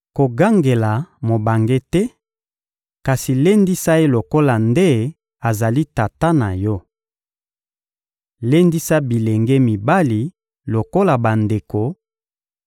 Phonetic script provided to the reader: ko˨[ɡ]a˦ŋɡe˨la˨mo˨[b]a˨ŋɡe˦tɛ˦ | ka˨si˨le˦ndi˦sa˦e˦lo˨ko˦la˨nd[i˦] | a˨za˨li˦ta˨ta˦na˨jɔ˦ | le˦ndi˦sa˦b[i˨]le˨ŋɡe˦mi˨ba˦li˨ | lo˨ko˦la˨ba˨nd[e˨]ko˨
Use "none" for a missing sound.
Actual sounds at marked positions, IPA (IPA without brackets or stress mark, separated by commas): ɡ, b, e˦, i˨, e˨